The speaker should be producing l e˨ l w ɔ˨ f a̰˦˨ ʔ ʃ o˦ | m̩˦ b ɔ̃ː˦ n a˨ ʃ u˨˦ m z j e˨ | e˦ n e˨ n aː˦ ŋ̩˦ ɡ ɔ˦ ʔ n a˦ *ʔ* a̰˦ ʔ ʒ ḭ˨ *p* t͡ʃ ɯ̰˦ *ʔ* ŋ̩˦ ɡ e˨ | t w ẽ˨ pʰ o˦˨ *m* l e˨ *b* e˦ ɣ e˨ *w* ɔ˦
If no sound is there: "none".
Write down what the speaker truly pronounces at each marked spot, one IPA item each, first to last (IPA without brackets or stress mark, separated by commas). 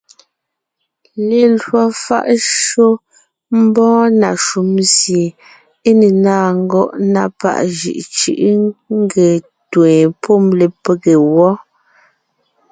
p, ʔ, ʔ, m, p, w